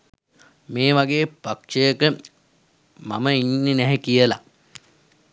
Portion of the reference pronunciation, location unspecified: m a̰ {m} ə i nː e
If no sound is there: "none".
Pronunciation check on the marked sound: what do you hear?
m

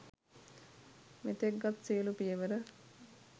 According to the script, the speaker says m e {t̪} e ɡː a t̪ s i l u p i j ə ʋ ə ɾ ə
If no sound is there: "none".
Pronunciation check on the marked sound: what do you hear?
t̪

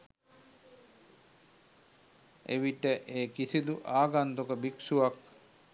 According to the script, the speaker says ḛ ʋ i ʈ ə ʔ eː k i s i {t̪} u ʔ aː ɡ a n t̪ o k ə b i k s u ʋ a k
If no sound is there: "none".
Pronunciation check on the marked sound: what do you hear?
d̪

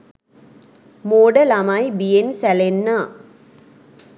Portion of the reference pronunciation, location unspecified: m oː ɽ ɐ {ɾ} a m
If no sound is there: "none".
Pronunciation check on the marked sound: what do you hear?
l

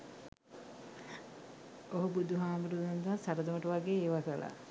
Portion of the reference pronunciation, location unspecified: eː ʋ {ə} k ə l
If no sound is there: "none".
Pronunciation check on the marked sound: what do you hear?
a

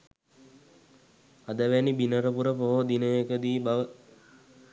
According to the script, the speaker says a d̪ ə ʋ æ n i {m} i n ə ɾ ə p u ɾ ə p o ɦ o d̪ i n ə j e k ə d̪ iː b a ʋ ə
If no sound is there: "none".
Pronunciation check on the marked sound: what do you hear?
b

